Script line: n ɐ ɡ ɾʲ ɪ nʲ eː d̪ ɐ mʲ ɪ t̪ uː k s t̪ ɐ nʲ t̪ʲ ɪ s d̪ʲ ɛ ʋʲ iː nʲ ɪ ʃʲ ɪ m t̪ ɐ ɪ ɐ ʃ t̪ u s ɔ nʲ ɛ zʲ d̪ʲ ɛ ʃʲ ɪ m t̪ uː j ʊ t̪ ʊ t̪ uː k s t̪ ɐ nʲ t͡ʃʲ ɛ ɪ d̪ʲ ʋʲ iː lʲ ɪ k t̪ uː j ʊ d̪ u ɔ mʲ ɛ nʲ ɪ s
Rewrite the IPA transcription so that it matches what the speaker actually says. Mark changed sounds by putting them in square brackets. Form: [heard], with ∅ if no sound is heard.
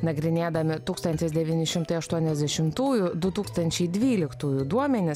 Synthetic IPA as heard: n ɐ ɡ ɾʲ ɪ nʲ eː d̪ ɐ mʲ ɪ t̪ uː k s t̪ ɐ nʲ t̪ʲ ɪ s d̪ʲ ɛ ʋʲ iː nʲ ɪ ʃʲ ɪ m t̪ ɐ ɪ ɐ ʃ t̪ u [∅] ɔ nʲ ɛ zʲ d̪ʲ ɛ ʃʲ ɪ m t̪ uː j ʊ [d̪] ʊ t̪ uː k s t̪ ɐ nʲ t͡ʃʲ ɛ ɪ d̪ʲ ʋʲ iː lʲ ɪ k t̪ uː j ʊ d̪ u ɔ mʲ ɛ nʲ ɪ s